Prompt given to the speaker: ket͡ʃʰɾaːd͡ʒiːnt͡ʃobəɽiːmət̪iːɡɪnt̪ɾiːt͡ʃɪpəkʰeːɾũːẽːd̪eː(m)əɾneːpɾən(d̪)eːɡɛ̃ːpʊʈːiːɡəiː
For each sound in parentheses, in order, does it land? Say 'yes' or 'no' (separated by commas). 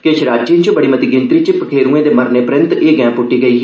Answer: yes, no